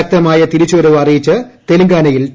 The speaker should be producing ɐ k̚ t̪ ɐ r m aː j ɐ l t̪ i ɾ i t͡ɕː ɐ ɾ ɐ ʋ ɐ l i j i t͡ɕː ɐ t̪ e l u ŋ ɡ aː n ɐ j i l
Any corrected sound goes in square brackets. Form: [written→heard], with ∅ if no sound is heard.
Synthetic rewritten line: ɐ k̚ t̪ ɐ [r→∅] m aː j ɐ [l→∅] t̪ i ɾ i t͡ɕː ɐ ɾ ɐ ʋ ɐ [l→r] i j i t͡ɕː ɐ t̪ e l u ŋ ɡ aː n ɐ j i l